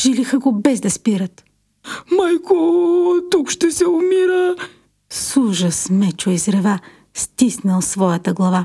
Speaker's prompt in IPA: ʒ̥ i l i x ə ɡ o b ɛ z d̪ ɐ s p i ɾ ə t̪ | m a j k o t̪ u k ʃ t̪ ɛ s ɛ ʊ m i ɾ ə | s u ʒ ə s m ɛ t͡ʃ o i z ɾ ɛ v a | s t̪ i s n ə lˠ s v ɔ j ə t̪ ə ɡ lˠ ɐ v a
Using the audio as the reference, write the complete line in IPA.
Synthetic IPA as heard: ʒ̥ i l i x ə ɡ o b ɛ z d̪ ɐ s p i ɾ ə t̪ | m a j k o t̪ u k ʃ t̪ ɛ s ɛ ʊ m i ɾ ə | s u ʒ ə s m ɛ t͡ʃ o i z ɾ ɛ v a | s t̪ i s n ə lˠ s v ɔ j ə t̪ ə ɡ lˠ ɐ v a